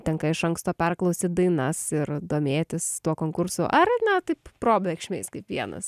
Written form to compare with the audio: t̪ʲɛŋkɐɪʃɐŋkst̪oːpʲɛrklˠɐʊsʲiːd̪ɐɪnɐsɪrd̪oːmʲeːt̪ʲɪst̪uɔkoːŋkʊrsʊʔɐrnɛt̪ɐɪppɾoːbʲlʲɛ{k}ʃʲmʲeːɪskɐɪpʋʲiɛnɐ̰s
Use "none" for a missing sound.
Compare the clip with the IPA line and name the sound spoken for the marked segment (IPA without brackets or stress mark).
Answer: k